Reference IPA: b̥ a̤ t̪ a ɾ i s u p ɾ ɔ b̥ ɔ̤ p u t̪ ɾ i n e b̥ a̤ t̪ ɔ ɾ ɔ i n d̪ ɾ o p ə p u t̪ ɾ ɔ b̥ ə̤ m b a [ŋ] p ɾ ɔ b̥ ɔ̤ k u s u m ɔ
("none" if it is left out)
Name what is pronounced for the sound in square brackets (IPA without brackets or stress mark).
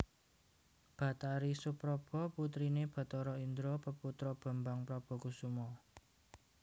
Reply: ŋ